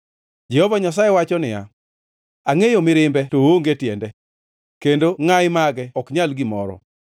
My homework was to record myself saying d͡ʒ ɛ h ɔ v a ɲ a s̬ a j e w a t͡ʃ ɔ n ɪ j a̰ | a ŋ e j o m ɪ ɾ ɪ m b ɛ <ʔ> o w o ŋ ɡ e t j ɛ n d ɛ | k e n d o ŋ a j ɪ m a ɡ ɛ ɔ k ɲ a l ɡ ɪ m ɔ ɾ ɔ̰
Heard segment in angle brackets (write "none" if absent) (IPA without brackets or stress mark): t